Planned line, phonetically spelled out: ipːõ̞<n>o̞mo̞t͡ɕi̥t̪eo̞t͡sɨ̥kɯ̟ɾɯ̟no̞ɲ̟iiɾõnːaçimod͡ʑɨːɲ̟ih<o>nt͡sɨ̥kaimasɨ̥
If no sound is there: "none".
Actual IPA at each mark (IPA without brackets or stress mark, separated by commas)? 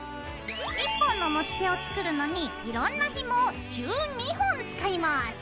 nː, õ